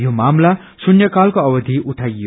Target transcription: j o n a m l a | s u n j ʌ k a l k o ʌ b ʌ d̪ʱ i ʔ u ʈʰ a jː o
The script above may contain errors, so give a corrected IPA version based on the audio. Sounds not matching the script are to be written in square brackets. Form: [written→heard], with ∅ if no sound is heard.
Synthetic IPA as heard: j o [n→m] a m l a | s u n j ʌ k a l k o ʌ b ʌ d̪ʱ i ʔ u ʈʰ a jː o